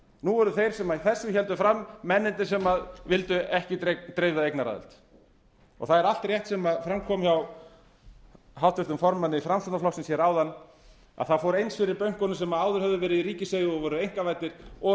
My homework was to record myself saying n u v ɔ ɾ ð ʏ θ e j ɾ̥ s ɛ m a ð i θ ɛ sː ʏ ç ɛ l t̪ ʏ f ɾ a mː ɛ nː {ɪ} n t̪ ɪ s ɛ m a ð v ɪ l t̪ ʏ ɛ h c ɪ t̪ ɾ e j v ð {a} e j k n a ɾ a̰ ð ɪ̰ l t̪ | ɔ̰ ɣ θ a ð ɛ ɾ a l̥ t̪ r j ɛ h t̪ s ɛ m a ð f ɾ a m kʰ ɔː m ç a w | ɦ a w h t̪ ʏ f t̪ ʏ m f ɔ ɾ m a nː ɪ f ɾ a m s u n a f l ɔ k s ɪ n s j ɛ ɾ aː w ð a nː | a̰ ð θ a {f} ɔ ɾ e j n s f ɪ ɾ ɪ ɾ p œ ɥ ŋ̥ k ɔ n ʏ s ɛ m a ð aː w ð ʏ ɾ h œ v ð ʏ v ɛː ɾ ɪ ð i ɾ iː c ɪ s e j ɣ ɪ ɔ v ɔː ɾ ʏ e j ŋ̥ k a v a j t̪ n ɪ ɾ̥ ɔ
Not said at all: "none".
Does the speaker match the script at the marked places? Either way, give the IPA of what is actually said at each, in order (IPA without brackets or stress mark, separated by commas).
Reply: ɪ, a, f